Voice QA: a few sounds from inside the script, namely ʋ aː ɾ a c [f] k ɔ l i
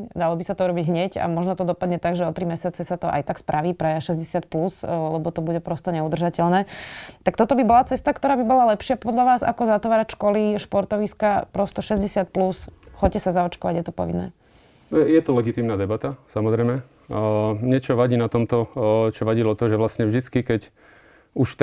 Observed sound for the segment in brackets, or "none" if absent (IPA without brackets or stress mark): ʃ